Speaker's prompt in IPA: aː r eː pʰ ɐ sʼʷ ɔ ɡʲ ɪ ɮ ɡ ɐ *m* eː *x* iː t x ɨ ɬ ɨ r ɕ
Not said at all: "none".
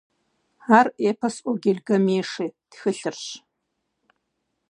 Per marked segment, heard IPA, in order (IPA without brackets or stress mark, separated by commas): m, ʂ